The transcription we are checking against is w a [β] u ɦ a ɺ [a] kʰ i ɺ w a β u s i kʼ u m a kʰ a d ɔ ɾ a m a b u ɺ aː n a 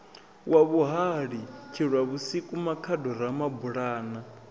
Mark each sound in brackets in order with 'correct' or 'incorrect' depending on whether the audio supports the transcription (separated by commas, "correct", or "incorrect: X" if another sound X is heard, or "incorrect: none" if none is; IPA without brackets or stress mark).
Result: correct, incorrect: i